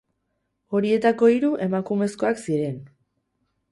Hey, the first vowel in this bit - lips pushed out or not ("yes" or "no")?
yes